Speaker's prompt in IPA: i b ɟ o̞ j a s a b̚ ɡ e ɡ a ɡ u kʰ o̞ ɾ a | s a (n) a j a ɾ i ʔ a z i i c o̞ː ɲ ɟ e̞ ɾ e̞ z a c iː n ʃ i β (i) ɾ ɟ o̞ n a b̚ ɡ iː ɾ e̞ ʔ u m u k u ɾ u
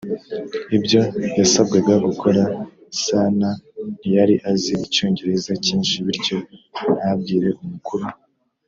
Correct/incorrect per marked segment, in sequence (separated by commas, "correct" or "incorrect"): correct, correct